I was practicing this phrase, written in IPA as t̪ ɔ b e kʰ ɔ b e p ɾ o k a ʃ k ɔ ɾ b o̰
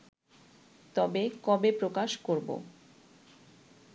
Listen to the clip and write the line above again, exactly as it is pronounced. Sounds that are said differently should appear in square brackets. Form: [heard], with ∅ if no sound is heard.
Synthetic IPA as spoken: t̪ ɔ b e [k] ɔ b e p ɾ o k a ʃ k [o] ɾ b o̰